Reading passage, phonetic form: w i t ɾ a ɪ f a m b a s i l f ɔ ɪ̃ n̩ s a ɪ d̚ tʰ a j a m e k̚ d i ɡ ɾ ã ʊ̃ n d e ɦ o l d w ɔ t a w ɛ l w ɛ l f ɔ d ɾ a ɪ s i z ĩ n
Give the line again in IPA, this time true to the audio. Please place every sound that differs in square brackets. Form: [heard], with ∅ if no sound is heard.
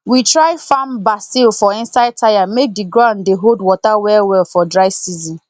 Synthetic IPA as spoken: w i t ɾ a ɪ f a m b a s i l f ɔ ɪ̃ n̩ s a ɪ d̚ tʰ a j a m e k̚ d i ɡ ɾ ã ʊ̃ n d e ɦ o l d w ɔ t a w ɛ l w ɛ l f ɔ d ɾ a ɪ s i z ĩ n

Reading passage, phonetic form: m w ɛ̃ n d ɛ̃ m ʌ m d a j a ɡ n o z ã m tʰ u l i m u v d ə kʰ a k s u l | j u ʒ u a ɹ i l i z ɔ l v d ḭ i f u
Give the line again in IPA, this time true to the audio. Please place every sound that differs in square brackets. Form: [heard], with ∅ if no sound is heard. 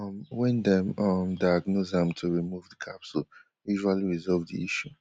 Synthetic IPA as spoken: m w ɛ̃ n d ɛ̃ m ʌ m d a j a ɡ n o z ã m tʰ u [ɹ] i m u v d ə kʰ a [p] s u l | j u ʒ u a [l] i [ɹ] i z ɔ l v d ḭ i [ʃ] u

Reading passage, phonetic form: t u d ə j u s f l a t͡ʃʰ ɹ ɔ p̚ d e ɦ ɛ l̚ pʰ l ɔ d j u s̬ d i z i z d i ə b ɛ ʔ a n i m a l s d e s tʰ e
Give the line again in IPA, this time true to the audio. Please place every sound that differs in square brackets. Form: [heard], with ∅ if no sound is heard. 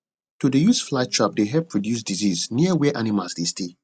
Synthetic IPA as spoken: t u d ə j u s f l a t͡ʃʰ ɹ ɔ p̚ d e ɦ ɛ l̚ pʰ [ɹ] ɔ d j u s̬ d i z i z [n] i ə [w] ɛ ʔ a n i m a l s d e s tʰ e

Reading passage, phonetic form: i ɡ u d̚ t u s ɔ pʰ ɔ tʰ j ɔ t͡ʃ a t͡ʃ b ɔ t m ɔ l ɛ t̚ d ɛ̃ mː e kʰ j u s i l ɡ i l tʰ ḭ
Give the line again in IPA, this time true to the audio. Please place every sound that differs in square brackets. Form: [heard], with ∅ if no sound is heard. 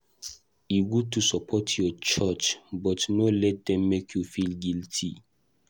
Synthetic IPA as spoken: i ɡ u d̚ t u s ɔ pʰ ɔ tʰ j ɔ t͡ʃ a t͡ʃ b ɔ t [n] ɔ l ɛ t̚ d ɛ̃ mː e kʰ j u [f] i l ɡ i l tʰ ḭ

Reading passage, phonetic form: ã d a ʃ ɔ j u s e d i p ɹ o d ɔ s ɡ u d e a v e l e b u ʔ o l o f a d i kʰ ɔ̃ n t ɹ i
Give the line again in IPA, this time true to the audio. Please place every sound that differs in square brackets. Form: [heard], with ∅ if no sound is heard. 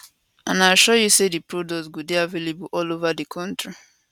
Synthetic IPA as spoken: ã [n] a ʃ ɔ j u s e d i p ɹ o d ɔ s ɡ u d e a v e l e b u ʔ [ɔ] l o [v] a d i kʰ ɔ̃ n t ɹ i

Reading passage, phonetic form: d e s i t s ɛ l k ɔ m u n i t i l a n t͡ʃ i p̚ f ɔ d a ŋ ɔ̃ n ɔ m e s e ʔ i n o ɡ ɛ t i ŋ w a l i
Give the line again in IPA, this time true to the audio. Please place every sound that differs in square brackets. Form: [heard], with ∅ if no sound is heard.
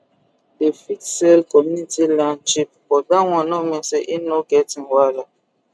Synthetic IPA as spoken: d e [f] i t s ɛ l k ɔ m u n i t i l a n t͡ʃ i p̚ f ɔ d a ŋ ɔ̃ n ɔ m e s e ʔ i n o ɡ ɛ t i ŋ w a l [a]

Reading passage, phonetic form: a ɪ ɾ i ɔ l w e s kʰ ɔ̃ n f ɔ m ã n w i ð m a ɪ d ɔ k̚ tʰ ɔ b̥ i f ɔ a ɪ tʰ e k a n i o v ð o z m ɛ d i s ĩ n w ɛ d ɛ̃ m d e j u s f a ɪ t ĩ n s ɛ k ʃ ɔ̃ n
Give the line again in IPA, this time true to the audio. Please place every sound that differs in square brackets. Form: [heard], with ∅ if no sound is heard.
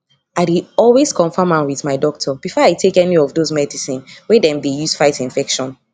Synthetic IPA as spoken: a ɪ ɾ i ɔ l w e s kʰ ɔ̃ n f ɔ m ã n w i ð m a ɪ d ɔ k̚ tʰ ɔ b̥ i f ɔ a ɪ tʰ e k [ɛ] n i [ɔ] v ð o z m ɛ d i s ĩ n w ɛ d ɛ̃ m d e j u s f a ɪ t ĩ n [f] ɛ k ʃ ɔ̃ n

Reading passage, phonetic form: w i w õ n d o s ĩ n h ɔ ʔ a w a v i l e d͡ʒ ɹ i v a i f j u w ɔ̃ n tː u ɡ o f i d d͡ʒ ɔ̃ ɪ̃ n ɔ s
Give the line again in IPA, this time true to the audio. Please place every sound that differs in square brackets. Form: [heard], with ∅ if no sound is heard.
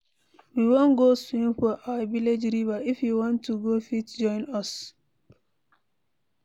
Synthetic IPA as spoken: w i w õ n [ɡ] o s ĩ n [f] ɔ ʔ a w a v i l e d͡ʒ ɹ i v a i f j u w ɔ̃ n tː u ɡ o f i [t] d͡ʒ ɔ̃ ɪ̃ n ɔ s

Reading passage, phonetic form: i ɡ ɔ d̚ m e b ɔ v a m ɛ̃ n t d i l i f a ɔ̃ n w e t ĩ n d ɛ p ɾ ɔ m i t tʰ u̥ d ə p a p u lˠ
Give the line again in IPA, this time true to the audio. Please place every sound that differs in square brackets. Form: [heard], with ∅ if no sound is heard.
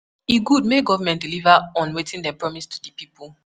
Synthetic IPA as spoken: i ɡ [u] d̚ m e [ɡ] ɔ v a m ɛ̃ n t d i l i [v] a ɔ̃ n w e t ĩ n d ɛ p [ɹ] ɔ m i [s] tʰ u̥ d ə p [i] p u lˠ

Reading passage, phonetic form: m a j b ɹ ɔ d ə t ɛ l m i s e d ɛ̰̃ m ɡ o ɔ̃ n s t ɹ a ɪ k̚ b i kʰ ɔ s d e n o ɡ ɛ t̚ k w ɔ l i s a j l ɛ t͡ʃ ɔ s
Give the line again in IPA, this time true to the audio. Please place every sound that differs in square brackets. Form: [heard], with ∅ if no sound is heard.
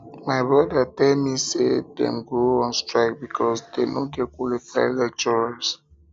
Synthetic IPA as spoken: m a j b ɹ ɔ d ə t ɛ l m i s e d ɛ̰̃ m ɡ o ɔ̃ n s t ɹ a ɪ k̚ b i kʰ ɔ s d e n o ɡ ɛ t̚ k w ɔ l i [f] a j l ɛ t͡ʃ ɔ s

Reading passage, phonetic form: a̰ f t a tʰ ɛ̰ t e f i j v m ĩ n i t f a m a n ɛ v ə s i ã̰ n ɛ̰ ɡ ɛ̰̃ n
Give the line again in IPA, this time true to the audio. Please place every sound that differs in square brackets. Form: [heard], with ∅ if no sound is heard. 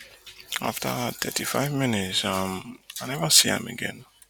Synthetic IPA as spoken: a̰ f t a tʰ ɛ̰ t [i] f [a] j v m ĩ n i t [s] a m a n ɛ v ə s i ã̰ [m] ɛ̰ ɡ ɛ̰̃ n

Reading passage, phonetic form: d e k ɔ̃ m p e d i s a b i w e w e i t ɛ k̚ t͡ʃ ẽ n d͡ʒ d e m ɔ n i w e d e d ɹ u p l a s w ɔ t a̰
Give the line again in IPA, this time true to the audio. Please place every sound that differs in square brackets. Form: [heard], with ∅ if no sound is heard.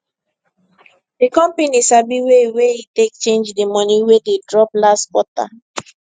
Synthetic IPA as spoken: d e k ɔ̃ m p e [n] i s a b i w e w e i t [e] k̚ t͡ʃ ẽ n d͡ʒ d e m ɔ n i w e d e d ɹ [ɔ] p l a s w ɔ t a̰

